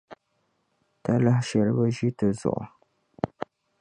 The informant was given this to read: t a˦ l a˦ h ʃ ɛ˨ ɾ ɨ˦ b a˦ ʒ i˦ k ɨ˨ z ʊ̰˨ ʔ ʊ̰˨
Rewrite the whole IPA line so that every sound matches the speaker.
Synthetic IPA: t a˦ l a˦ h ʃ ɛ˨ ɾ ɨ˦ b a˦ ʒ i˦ t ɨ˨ z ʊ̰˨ ʔ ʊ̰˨